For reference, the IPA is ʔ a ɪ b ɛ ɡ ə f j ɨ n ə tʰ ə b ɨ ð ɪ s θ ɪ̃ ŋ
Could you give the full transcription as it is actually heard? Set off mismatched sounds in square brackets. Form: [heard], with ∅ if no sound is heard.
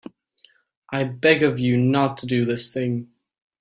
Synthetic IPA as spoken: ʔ a ɪ b ɛ ɡ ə [v] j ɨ n ə tʰ ə [d] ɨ ð ɪ s θ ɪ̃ ŋ